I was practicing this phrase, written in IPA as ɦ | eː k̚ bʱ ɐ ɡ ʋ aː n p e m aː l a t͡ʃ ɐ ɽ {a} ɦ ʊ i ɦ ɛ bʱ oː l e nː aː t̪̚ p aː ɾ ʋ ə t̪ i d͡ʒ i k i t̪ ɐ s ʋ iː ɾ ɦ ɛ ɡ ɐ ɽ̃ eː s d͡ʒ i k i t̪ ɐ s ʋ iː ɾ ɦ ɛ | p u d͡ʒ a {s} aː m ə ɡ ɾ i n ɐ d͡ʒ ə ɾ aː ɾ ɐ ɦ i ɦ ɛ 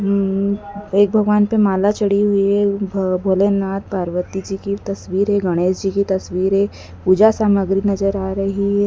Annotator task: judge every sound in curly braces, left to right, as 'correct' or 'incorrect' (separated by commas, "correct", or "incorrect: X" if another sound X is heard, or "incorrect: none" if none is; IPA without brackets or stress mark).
incorrect: i, correct